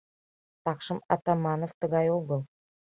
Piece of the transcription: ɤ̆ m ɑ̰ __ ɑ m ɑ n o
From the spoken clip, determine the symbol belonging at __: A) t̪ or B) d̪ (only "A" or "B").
A